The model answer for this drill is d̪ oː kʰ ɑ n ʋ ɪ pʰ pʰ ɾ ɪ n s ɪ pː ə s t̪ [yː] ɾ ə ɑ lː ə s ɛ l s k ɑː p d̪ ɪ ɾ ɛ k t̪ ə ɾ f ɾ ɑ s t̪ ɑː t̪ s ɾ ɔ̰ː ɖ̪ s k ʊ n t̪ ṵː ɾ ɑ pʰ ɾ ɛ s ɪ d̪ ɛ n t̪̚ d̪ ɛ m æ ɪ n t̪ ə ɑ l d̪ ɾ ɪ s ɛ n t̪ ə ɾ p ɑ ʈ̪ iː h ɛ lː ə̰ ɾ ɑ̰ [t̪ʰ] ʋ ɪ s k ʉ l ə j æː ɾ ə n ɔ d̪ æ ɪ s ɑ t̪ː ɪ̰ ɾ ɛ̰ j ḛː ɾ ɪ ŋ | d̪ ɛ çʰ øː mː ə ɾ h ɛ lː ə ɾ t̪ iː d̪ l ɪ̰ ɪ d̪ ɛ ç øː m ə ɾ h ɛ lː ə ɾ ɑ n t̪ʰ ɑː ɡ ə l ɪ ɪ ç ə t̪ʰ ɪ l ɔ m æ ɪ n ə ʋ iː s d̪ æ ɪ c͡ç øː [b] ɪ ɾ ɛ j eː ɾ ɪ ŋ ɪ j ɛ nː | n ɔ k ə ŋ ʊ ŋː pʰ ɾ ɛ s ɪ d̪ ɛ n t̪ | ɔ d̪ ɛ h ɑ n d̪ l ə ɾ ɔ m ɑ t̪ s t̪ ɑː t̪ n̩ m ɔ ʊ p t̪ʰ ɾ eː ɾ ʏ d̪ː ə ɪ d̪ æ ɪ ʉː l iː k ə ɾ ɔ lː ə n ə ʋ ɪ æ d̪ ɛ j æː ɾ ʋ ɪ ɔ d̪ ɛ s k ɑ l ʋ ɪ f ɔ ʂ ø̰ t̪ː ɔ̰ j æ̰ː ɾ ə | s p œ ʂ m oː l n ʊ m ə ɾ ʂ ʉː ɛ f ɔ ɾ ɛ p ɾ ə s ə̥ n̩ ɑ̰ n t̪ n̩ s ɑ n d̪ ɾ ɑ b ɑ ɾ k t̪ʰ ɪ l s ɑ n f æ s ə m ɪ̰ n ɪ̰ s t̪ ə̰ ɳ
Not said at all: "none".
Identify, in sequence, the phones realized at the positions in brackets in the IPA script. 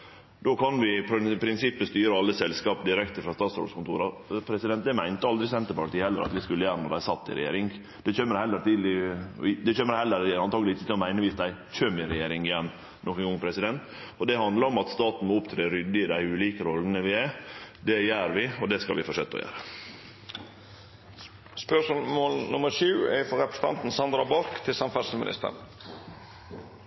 yː, t̪, m

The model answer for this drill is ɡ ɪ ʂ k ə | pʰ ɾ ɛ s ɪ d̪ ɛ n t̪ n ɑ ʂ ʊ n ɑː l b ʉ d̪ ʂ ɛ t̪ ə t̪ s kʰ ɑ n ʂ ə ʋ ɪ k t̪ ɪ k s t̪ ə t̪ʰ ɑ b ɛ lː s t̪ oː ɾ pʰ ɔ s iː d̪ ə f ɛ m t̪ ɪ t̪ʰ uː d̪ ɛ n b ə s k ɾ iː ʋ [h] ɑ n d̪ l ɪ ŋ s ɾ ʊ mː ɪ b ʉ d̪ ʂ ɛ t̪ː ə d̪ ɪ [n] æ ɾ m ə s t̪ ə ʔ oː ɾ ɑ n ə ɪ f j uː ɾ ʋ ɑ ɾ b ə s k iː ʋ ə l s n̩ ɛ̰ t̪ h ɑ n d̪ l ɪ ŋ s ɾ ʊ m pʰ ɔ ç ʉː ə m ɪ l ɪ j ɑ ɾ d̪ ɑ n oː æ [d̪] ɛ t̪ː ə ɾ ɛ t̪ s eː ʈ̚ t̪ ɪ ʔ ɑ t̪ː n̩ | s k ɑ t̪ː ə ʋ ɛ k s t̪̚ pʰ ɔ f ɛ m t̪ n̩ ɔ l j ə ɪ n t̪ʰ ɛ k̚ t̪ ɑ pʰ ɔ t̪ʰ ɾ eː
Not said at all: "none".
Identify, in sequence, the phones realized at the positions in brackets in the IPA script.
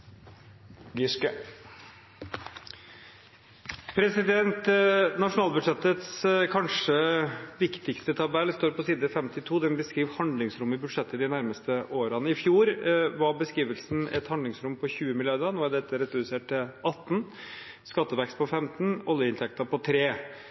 h, n, d̪

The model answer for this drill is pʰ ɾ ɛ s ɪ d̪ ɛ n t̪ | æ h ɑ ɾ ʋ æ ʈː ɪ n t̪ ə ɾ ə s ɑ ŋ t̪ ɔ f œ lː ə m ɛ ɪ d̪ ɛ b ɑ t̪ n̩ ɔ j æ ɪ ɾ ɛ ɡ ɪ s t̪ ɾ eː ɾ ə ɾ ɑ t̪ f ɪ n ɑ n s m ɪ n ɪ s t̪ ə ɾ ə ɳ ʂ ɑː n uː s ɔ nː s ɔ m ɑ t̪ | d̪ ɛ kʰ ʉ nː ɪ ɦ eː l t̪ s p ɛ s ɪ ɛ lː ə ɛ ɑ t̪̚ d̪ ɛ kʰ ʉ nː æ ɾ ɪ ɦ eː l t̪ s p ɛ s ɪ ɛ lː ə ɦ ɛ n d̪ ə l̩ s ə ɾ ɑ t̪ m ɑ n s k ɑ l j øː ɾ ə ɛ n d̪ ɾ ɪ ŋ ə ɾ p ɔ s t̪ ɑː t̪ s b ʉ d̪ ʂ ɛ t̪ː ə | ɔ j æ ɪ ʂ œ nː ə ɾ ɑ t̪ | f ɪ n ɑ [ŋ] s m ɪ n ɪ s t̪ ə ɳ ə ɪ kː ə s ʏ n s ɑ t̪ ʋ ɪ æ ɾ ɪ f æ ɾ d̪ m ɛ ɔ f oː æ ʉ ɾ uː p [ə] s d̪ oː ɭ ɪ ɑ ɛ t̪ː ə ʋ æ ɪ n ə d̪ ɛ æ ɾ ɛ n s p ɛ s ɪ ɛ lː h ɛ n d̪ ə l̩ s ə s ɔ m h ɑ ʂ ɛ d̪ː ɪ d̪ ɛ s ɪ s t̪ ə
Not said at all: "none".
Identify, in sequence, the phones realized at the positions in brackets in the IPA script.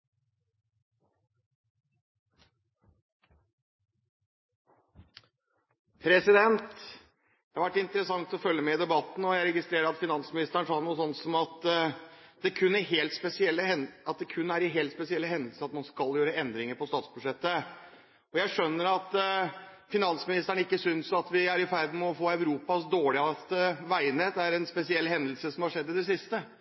n, ɑ

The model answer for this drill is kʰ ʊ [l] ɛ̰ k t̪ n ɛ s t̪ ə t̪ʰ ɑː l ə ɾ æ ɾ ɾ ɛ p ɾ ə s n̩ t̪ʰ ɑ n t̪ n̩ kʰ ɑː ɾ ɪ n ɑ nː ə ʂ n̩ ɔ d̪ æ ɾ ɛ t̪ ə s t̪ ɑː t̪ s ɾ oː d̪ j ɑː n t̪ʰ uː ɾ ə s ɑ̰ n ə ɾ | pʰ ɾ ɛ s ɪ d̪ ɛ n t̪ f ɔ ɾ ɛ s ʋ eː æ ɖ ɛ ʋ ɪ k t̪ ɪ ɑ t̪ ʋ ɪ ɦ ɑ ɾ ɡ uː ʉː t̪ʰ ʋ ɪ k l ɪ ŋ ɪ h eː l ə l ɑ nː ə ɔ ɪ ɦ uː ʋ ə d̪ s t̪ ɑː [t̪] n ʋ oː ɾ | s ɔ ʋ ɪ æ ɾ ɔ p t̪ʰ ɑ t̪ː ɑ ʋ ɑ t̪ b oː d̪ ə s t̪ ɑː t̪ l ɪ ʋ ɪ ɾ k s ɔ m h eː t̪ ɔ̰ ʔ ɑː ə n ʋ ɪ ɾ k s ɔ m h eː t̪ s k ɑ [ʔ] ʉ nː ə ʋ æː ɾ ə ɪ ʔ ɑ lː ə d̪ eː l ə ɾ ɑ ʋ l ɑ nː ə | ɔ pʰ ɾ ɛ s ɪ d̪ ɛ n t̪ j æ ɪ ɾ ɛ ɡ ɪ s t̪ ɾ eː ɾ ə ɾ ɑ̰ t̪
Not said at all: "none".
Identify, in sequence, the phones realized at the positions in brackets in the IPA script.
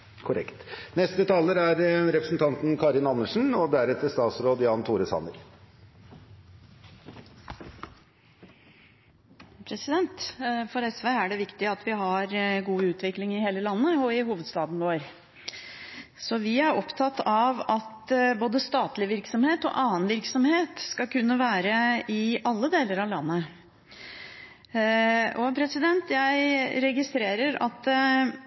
ɾ, d̪, k

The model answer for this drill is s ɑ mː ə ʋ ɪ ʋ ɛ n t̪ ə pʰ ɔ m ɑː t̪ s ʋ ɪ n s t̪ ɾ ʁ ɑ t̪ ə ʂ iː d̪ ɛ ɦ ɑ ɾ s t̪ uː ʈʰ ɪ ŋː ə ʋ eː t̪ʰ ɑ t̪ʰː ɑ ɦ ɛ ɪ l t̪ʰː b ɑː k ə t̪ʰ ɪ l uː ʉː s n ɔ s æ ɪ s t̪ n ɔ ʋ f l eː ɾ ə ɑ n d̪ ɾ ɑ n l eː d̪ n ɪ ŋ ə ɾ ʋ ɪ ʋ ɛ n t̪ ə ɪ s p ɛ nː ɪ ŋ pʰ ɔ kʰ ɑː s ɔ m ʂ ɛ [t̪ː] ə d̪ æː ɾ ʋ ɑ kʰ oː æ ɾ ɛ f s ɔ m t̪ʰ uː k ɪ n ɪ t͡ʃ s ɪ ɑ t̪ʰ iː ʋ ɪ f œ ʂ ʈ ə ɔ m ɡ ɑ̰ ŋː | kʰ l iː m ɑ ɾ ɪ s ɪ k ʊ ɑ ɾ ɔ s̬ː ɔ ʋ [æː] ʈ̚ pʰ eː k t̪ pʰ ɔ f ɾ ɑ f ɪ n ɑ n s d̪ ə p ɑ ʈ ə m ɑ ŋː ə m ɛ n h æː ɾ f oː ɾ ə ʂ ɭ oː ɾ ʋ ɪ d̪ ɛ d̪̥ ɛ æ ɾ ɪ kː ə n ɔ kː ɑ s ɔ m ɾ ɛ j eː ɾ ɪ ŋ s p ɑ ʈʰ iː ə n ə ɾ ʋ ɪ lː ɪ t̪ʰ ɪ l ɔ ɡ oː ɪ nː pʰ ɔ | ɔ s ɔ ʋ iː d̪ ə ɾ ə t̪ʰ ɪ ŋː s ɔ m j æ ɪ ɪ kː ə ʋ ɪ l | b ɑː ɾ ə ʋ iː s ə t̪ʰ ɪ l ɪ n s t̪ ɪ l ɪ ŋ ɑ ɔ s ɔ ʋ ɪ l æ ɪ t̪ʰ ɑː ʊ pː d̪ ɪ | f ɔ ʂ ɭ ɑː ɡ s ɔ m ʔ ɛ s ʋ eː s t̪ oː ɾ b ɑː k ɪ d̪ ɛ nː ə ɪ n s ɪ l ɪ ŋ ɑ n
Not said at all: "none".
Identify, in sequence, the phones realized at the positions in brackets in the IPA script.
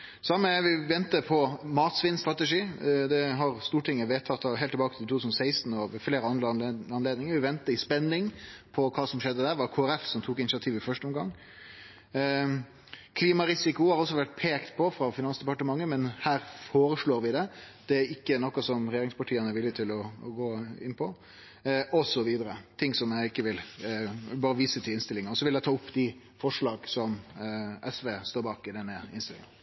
d̪ː, æ

